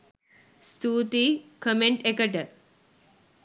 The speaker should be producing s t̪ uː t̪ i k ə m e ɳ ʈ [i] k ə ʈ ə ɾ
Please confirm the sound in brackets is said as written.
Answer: no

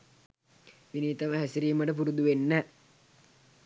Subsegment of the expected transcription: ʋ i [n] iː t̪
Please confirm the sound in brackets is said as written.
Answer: yes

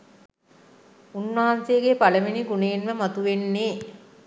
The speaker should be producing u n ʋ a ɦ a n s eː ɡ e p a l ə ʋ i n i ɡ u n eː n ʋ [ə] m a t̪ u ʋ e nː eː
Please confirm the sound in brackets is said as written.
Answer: yes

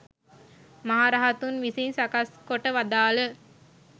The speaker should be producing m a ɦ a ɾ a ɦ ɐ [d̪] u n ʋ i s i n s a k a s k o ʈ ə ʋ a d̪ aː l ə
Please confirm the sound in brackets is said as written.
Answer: no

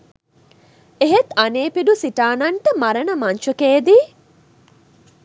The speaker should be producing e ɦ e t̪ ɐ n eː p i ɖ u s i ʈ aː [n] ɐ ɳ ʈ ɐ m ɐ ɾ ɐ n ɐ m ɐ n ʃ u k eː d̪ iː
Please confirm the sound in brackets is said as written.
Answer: yes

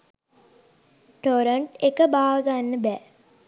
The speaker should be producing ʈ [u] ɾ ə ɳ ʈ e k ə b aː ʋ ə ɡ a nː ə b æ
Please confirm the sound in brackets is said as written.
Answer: no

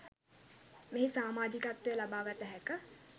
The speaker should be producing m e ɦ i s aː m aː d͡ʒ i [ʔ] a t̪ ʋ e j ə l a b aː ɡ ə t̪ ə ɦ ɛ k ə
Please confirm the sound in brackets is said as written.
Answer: no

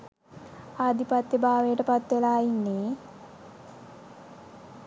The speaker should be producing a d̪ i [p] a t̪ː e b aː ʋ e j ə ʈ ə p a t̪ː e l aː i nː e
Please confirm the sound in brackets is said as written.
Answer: yes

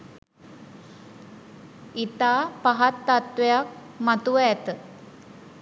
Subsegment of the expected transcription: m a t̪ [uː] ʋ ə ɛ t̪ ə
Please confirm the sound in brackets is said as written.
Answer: no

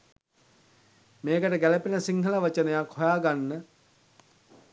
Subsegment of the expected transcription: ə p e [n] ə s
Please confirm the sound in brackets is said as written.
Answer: yes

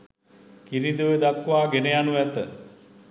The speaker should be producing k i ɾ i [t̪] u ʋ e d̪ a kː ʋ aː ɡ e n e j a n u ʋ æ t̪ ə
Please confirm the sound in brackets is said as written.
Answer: no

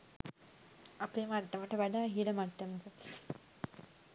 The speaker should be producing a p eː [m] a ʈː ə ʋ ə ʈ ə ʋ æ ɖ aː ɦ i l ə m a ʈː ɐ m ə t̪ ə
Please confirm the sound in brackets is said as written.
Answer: yes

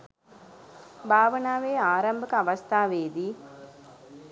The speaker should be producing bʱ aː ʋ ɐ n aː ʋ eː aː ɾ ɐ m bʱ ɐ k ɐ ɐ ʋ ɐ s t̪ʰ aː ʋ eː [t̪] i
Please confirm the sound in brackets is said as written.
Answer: no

